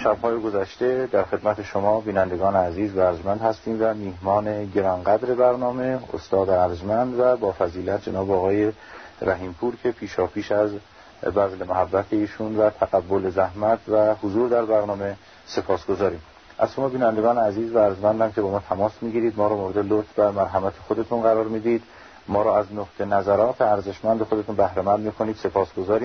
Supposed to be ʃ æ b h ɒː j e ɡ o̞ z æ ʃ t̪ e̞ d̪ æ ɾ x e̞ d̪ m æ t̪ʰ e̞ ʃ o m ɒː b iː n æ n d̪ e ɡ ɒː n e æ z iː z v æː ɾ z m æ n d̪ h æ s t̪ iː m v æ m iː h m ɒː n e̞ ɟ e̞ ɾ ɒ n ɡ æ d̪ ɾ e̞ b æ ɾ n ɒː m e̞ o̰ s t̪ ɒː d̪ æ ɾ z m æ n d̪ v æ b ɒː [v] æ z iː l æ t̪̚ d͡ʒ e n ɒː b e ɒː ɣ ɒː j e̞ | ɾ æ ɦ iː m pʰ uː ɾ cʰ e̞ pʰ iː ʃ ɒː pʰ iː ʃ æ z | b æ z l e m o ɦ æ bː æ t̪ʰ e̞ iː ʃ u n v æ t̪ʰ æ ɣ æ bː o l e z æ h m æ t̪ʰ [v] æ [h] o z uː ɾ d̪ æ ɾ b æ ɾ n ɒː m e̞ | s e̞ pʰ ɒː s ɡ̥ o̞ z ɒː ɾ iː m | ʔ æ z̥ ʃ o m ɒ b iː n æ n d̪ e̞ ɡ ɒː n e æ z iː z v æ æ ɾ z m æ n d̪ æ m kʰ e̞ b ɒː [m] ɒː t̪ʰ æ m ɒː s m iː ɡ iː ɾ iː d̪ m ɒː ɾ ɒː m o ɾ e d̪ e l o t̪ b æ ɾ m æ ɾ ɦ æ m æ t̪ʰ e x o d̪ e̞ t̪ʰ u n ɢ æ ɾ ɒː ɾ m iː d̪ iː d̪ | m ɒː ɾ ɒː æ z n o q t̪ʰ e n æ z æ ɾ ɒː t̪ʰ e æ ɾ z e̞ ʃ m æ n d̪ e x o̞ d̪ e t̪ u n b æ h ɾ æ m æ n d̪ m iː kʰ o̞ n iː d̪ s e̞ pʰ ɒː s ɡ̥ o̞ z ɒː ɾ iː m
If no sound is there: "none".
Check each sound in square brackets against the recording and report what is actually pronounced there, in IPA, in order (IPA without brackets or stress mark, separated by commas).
f, v, h, m